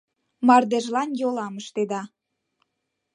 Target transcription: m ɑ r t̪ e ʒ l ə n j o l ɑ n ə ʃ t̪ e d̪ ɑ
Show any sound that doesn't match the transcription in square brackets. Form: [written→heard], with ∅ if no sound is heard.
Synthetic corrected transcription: m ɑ r [t̪→d̪] e ʒ l [ə→ɑ] n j o l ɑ [n→m] ə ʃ t̪ e d̪ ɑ

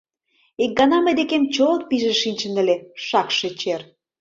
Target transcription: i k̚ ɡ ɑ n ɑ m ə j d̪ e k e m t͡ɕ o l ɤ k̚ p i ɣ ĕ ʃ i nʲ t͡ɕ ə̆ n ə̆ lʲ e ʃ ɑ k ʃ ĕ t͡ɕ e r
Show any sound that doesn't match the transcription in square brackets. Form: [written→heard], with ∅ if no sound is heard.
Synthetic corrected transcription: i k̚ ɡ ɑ n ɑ m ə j d̪ e k e m t͡ɕ o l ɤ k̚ p i [ɣ→ʒ] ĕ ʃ i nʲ t͡ɕ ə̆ n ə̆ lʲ e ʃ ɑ k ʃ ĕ t͡ɕ e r

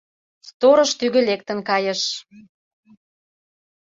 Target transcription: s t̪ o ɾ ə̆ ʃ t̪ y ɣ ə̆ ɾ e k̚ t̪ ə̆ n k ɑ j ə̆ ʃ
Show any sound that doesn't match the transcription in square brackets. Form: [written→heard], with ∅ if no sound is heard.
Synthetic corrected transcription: s t̪ o ɾ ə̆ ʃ t̪ y ɣ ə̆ [ɾ→l] e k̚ t̪ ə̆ n k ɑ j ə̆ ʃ

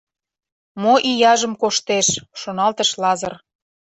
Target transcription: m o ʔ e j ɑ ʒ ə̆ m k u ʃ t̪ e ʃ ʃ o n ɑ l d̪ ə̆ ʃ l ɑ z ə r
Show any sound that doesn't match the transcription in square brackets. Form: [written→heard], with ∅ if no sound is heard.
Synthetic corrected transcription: m o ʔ [e→i] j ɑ ʒ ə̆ m k [u→o] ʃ t̪ e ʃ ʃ o n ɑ l [d̪→t̪] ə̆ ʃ l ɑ z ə r

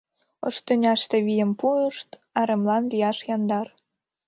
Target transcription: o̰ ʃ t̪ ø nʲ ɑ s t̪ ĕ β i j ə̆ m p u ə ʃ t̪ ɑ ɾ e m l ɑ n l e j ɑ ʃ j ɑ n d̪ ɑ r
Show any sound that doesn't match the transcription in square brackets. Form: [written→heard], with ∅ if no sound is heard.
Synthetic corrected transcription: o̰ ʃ t̪ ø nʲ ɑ [s→ʃ] t̪ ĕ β i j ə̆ m p u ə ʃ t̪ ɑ ɾ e m l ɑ n l [e→i] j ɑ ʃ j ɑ n d̪ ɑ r

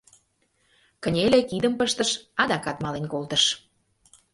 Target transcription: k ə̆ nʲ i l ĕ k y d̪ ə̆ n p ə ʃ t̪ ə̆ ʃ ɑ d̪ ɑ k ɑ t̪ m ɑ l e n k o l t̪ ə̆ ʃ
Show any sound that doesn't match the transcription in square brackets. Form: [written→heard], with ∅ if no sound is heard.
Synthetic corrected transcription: k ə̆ nʲ [i→e] l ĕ k [y→i] d̪ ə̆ [n→m] p ə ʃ t̪ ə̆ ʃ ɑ d̪ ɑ k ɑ t̪ m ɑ l e n k o l t̪ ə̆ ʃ

